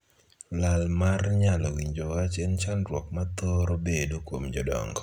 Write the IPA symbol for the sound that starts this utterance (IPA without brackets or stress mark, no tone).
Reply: l